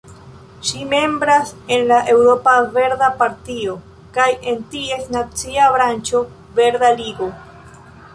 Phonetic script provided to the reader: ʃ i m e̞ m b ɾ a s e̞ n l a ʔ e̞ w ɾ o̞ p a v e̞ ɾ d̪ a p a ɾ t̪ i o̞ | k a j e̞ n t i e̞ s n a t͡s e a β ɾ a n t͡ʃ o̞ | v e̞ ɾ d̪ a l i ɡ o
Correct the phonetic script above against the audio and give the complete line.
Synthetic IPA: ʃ i m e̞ m b ɾ a s e̞ n l a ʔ e̞ w ɾ o̞ p a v e̞ ɾ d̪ a p a ɾ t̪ i o̞ | k a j e̞ n t i e̞ s n a t͡s i a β ɾ a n t͡ʃ o̞ | v e̞ ɾ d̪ a l i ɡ o